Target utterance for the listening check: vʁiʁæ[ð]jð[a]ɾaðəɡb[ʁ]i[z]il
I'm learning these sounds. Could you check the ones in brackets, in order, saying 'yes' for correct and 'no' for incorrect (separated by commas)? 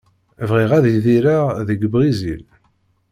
yes, no, yes, yes